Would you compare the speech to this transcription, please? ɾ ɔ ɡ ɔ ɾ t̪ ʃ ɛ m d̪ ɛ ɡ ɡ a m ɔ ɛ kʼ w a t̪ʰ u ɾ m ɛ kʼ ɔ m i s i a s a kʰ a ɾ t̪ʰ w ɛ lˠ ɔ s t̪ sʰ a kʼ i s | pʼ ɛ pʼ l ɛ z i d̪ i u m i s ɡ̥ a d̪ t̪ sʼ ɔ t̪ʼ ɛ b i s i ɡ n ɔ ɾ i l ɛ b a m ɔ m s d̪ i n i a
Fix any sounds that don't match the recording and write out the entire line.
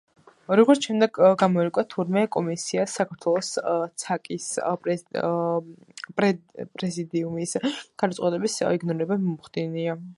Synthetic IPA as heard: ɾ ɔ ɡ ɔ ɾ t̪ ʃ ɛ m d̪ ɛ ɡ ɡ a m ɔ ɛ kʼ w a t̪ʰ u ɾ m ɛ kʼ ɔ m i s i a s a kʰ a ɾ t̪ʰ w ɛ lˠ ɔ s t̪ sʰ a kʼ i s | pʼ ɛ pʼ ɾ ɛ z i d̪ i u m i s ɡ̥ a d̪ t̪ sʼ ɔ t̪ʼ ɛ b i s i ɡ n ɔ ɾ i ɾ ɛ b a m ɔ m χ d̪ i n i a